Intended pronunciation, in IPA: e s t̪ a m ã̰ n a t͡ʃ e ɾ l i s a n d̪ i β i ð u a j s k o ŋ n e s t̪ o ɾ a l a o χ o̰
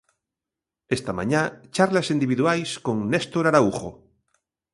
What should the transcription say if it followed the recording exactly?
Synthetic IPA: e s t̪ a m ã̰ ɲ a t͡ʃ a ɾ l a s i n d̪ i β i ð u a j s k o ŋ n e s t̪ o ɾ a ɾ a u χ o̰